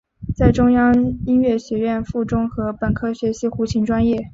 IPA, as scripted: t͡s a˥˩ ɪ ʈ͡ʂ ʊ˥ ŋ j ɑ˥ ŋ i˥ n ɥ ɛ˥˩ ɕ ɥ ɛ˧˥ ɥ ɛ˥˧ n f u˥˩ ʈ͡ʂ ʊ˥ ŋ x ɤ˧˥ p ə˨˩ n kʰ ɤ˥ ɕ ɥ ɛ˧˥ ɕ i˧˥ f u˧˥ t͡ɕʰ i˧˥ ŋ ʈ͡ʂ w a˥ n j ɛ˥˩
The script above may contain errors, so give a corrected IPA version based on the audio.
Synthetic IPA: t͡s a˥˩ ɪ ʈ͡ʂ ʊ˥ ŋ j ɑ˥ ŋ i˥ n ɥ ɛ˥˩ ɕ ɥ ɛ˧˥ ɥ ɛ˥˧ n f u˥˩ ʈ͡ʂ ʊ˥ ŋ x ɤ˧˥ p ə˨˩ n kʰ ɤ˥ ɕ ɥ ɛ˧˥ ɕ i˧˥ x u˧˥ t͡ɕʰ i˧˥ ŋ ʈ͡ʂ w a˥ n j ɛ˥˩